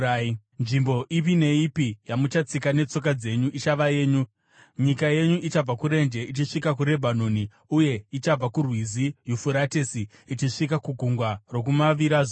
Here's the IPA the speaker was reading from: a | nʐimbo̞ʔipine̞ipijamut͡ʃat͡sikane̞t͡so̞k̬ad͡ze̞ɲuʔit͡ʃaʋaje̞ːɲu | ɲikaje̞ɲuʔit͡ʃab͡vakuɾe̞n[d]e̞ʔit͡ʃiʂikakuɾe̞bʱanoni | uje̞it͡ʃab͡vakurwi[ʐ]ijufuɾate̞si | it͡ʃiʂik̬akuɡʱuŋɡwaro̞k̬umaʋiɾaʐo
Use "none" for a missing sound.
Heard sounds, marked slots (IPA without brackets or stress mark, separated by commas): d͡ʒ, z